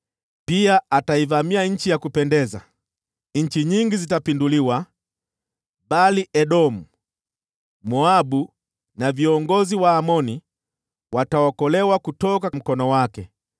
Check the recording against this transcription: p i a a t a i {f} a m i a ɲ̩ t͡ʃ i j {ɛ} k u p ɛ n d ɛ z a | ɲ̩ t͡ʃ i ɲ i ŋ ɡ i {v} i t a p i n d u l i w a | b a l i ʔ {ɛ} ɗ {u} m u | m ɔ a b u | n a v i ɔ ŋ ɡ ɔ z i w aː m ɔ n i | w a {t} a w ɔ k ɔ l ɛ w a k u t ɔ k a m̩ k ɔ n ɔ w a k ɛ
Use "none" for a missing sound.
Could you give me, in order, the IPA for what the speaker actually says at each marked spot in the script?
v, a, z, ɛ, ɔ, t

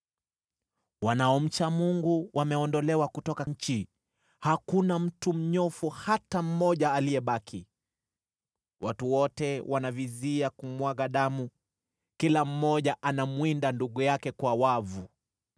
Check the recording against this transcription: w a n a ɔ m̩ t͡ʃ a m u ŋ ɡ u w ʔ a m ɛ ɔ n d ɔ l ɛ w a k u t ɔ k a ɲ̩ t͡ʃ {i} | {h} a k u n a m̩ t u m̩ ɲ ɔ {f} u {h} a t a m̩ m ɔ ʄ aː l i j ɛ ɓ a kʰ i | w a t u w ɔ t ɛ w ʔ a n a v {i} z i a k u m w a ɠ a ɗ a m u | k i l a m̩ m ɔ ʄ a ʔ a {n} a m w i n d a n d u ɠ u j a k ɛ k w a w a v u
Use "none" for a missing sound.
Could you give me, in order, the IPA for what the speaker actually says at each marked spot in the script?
i, h, f, h, i, n

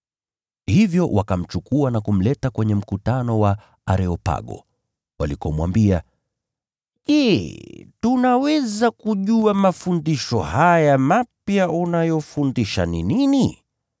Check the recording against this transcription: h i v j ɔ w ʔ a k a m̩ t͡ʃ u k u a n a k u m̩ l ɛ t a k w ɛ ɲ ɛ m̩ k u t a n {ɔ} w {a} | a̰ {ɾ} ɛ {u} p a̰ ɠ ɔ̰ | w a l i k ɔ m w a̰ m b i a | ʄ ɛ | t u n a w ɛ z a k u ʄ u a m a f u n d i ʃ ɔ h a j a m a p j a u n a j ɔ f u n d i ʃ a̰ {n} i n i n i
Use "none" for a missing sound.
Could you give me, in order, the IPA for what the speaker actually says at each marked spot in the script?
ɔ, a, ɾ, ɔ, n

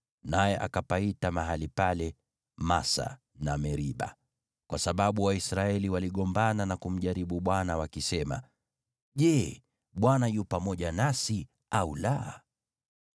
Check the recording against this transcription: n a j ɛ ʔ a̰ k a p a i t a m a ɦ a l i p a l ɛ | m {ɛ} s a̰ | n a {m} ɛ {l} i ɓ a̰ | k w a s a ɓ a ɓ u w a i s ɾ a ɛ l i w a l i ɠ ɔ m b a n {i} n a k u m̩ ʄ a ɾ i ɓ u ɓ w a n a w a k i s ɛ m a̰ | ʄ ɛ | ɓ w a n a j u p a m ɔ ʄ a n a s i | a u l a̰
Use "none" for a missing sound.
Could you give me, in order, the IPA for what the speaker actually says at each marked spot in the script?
a, m, ɾ, a

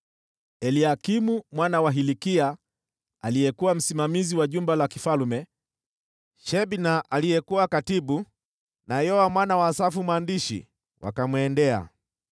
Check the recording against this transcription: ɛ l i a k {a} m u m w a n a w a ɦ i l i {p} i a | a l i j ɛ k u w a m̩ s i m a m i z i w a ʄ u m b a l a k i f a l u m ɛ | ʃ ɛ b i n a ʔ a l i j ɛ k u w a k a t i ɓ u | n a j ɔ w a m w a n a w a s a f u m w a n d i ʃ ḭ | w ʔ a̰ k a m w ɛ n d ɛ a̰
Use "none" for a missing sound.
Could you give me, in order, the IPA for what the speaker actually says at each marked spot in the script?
i, k

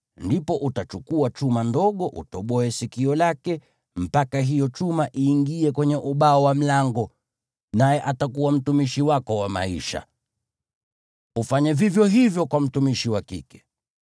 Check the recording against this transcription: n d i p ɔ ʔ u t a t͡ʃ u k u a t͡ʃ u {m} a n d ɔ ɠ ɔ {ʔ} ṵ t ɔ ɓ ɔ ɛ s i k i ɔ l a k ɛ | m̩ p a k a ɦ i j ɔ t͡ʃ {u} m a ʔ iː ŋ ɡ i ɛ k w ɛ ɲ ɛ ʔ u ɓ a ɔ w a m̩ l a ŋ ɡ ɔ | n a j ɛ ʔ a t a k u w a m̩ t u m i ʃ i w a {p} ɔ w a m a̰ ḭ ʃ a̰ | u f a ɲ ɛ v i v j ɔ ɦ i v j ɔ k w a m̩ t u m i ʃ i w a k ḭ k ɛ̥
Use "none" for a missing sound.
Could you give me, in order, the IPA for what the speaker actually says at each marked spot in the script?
m, ʔ, u, k

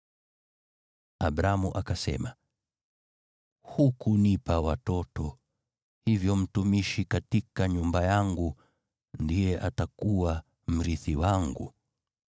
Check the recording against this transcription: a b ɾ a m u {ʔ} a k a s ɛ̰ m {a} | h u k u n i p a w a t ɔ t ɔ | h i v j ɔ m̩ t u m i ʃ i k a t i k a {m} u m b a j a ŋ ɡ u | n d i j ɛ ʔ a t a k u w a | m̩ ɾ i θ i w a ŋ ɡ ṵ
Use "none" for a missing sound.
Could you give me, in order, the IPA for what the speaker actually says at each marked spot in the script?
ʔ, a, ɲ

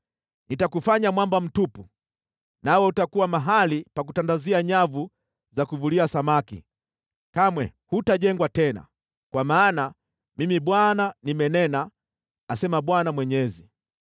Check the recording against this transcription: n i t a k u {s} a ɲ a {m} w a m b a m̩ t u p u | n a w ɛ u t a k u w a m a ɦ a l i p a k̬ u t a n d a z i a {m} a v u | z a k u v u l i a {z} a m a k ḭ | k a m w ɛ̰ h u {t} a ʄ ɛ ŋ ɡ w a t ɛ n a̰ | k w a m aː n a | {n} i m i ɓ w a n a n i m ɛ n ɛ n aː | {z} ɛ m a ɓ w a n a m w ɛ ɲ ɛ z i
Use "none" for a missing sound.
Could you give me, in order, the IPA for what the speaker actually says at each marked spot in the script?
f, m, ɲ, s, t, m, s

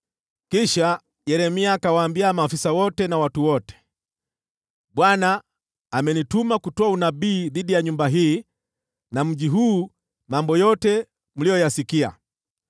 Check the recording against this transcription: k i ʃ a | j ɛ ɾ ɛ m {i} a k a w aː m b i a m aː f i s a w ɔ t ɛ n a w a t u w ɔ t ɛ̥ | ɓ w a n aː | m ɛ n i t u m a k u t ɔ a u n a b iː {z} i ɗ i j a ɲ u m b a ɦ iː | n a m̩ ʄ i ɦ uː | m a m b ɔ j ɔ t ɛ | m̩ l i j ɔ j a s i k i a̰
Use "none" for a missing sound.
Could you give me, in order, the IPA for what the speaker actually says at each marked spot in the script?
i, ð

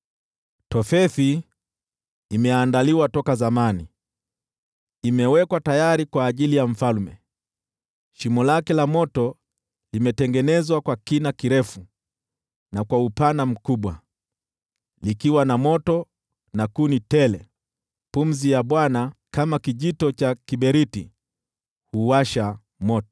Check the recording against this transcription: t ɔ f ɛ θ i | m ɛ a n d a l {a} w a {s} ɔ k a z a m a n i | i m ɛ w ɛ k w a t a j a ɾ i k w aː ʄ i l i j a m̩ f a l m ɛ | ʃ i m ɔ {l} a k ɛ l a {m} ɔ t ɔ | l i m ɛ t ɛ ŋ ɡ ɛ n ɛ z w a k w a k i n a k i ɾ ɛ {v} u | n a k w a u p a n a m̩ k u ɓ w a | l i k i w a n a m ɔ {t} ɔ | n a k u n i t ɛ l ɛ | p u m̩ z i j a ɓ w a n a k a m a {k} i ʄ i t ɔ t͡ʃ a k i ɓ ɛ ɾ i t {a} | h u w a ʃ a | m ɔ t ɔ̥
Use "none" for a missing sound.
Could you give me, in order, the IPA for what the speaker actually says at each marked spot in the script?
i, t, l, m, f, t, k, i

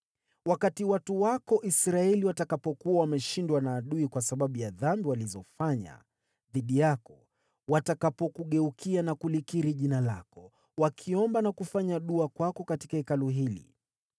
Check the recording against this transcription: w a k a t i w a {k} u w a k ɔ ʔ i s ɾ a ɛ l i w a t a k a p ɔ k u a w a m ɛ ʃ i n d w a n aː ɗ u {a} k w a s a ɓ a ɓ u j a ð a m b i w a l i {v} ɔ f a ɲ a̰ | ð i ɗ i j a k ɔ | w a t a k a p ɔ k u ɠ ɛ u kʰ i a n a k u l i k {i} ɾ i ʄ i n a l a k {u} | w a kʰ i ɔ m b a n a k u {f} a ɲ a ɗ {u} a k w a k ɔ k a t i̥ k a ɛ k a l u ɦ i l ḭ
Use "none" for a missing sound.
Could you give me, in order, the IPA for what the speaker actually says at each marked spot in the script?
t, i, z, i, ɔ, f, u

